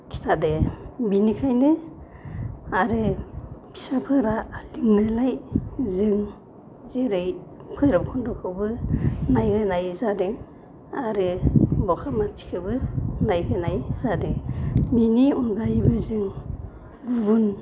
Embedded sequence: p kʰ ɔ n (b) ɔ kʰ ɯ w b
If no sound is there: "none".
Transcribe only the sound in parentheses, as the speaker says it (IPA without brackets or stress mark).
d